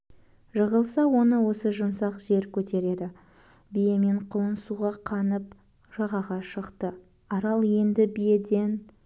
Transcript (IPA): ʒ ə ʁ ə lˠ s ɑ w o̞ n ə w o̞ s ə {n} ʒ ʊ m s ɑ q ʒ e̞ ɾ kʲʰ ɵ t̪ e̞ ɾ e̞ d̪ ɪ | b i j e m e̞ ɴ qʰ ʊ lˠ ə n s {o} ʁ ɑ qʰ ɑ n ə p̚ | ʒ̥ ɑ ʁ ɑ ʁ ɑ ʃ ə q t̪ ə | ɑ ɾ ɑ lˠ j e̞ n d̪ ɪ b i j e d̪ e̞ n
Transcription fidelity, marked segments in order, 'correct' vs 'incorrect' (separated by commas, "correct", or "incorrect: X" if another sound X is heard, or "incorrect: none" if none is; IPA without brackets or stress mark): incorrect: none, incorrect: u